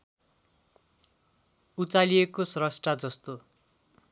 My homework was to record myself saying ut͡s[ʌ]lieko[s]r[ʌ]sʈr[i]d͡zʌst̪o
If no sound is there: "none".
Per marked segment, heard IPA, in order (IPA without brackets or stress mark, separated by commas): a, s, ʌ, a